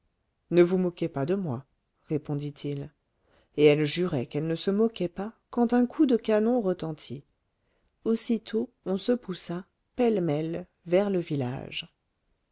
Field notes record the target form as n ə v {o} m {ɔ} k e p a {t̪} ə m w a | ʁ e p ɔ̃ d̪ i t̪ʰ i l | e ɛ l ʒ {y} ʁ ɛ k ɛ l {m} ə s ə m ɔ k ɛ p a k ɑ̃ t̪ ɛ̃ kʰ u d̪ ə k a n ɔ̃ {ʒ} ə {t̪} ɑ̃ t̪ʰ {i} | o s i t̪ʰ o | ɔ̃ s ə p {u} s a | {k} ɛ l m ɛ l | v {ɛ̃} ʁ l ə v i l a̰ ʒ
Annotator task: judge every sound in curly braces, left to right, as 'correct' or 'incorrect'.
incorrect: u, correct, incorrect: d̪, correct, incorrect: n, incorrect: ʁ, correct, correct, correct, incorrect: p, incorrect: ɛ

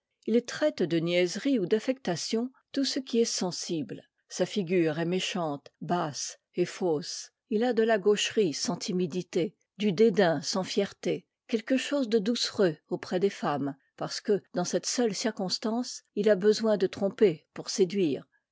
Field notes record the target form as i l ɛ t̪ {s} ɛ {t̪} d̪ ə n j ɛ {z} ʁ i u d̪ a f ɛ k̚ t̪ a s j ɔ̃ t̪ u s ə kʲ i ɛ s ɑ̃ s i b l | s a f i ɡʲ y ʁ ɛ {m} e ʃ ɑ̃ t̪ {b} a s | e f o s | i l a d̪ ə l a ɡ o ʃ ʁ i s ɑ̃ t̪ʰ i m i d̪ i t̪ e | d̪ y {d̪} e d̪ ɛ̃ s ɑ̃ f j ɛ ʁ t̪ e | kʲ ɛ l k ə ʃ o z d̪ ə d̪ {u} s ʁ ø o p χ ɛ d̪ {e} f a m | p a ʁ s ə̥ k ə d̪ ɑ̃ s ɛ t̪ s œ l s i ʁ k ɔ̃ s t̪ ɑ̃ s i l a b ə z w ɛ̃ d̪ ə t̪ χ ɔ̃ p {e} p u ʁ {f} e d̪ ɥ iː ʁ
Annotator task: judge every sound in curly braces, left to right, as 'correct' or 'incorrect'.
incorrect: χ, correct, correct, correct, correct, correct, correct, correct, correct, incorrect: s

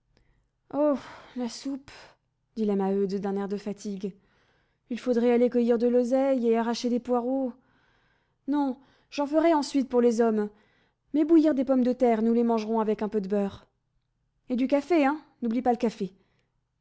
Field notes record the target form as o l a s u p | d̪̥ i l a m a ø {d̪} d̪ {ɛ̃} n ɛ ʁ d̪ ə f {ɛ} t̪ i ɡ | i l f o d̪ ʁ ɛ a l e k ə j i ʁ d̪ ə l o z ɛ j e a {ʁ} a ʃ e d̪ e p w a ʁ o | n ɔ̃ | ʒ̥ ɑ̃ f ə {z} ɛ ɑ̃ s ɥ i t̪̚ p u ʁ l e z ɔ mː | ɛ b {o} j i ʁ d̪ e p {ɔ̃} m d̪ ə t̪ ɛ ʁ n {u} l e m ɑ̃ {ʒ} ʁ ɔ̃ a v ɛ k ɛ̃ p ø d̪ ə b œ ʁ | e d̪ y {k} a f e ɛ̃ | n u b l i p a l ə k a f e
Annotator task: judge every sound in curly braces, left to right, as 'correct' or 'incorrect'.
correct, correct, incorrect: a, correct, incorrect: ʁ, incorrect: u, incorrect: ɔ, correct, correct, correct

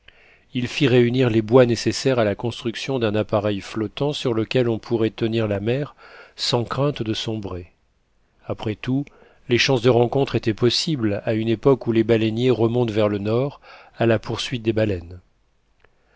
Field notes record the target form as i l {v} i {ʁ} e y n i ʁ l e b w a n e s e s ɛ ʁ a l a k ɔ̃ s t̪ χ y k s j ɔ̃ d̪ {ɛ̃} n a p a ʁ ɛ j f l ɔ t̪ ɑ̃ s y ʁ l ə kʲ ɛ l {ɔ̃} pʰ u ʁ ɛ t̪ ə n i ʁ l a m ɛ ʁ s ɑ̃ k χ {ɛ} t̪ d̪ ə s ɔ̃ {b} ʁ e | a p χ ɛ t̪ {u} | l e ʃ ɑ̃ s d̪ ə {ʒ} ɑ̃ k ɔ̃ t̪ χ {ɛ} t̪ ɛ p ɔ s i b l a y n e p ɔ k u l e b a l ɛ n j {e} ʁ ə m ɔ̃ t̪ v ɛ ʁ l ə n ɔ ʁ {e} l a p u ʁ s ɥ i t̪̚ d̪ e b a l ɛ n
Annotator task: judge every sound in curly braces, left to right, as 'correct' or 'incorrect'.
incorrect: f, correct, correct, correct, incorrect: ɛ̃, correct, correct, incorrect: ʁ, incorrect: e, correct, incorrect: a

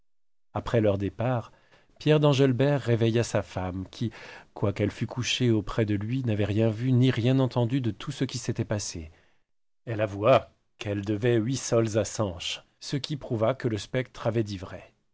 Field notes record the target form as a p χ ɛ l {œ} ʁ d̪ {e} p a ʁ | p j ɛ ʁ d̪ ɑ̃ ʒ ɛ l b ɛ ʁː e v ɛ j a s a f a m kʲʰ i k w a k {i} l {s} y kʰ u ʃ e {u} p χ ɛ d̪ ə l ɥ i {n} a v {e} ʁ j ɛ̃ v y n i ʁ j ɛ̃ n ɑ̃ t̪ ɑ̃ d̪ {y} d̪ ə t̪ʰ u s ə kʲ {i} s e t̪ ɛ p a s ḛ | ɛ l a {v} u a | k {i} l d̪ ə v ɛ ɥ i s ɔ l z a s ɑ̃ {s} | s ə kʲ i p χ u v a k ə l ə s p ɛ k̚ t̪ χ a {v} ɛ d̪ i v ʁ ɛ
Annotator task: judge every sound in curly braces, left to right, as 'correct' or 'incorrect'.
correct, correct, incorrect: ɛ, incorrect: f, incorrect: o, correct, incorrect: ɛ, correct, correct, correct, incorrect: ɛ, incorrect: ʃ, correct

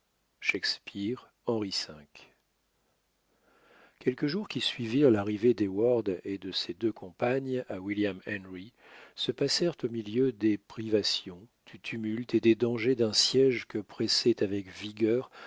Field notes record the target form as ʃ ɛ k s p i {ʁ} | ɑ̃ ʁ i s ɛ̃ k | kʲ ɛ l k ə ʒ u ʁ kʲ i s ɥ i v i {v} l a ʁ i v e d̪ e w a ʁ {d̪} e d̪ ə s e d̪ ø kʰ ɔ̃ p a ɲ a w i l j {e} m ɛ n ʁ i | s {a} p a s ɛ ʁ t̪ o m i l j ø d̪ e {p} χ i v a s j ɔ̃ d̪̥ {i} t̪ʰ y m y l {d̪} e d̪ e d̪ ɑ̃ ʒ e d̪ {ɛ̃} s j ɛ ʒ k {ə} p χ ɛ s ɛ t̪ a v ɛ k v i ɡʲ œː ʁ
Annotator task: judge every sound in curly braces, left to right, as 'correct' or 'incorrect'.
correct, incorrect: ʁ, correct, incorrect: a, incorrect: ə, correct, incorrect: y, incorrect: t̪, correct, correct

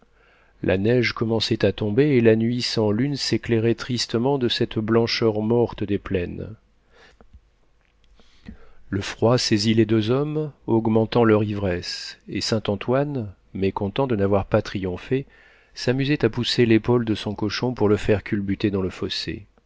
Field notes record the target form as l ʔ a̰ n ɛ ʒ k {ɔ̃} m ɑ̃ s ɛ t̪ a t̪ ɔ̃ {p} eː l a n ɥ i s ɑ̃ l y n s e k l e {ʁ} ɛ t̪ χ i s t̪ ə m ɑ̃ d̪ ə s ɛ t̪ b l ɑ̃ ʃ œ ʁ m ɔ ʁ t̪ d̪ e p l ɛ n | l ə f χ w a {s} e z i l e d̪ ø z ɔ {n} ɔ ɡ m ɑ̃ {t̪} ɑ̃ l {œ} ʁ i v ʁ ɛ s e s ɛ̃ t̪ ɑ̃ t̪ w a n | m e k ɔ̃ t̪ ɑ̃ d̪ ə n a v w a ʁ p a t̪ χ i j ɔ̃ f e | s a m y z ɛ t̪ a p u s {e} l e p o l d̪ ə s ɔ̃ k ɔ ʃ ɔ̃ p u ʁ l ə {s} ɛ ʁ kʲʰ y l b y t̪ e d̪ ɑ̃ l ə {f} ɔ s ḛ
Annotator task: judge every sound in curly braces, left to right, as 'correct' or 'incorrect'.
incorrect: ɔ, incorrect: b, correct, correct, incorrect: m, correct, correct, correct, incorrect: f, correct

